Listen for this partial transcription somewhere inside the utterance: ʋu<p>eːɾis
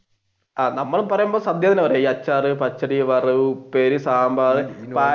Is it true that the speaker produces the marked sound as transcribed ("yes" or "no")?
yes